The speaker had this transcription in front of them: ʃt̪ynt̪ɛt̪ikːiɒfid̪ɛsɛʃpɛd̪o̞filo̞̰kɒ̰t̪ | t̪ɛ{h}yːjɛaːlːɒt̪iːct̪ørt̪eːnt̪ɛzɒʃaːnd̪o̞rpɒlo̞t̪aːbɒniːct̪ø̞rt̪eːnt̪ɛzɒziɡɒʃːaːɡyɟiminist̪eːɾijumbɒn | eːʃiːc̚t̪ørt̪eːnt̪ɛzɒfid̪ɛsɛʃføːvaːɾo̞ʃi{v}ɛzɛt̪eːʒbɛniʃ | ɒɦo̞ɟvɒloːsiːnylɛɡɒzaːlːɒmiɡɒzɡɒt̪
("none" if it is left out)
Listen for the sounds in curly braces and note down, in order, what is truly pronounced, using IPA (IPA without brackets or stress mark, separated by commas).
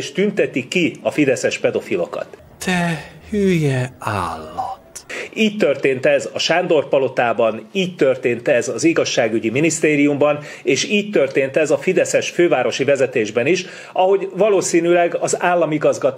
h, v